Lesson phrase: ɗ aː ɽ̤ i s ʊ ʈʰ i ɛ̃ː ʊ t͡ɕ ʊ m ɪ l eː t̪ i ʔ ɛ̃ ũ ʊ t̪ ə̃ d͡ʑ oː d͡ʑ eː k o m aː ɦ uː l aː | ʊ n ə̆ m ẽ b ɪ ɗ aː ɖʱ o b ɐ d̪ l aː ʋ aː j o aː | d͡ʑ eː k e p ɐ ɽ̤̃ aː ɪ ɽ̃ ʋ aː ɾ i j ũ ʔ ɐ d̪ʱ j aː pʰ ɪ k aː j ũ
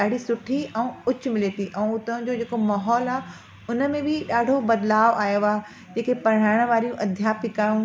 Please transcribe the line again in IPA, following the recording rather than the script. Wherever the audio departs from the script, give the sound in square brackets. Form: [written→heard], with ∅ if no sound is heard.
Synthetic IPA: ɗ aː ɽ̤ i s ʊ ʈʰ i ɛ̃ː ʊ t͡ɕ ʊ m ɪ l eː t̪ i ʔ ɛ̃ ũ ʊ t̪ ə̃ d͡ʑ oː d͡ʑ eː k o m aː ɦ [uː→ɔː] l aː | ʊ n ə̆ m ẽ b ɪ ɗ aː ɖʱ o b ɐ d̪ l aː ʋ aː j o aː | d͡ʑ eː k e p ɐ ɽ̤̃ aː ɪ ɽ̃ ʋ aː ɾ i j ũ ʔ ɐ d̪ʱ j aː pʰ ɪ k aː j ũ